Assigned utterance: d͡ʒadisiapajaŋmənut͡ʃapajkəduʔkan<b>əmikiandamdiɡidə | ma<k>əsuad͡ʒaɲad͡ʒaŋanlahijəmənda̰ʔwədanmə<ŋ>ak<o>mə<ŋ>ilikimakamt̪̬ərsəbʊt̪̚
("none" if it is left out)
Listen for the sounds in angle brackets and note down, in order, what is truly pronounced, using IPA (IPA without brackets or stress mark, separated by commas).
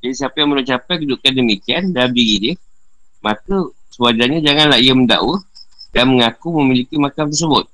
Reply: d, k, ŋ, u, m